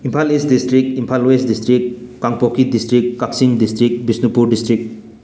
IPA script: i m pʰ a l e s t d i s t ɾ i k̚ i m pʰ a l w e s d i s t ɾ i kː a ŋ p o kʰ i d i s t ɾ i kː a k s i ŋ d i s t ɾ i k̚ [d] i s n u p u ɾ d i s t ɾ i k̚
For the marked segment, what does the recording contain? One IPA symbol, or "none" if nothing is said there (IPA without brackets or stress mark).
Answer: b